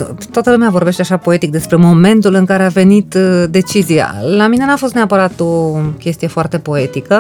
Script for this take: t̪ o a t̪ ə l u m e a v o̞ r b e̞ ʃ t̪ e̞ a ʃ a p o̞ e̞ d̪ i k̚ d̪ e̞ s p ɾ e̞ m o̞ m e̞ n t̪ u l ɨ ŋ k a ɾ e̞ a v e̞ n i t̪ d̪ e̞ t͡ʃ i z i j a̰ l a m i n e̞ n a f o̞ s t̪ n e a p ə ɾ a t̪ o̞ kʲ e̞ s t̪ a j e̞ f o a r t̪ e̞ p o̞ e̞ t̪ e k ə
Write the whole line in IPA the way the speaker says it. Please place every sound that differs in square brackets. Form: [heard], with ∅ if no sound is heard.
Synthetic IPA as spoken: t̪ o a t̪ ə l u m e a v o̞ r b e̞ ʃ t̪ e̞ a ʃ a p o̞ e̞ [t̪] i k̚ d̪ e̞ s p ɾ e̞ m o̞ m e̞ n t̪ u l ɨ ŋ k a ɾ e̞ a v e̞ n i t̪ d̪ e̞ t͡ʃ i z i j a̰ l a m i n e̞ n a f o̞ s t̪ n e a p ə ɾ a t̪ o̞ kʲ e̞ s t̪ [i] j e̞ f o a r t̪ e̞ p o̞ e̞ t̪ [i] k ə